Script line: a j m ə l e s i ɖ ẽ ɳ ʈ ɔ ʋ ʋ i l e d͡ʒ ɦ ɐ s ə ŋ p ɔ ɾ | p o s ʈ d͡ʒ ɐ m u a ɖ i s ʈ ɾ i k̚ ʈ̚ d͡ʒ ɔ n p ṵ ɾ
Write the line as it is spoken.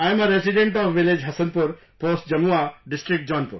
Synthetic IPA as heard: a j m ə ɾ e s i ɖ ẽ ɳ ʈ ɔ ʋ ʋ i l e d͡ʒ ɦ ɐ s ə n p u ɾ | p o s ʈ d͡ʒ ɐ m u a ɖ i s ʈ ɾ i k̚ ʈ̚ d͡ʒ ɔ n p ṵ ɾ